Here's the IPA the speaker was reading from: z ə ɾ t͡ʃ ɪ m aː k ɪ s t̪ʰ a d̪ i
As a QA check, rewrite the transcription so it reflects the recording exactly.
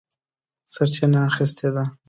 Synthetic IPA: s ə ɾ t͡ʃ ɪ n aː x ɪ s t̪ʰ e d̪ a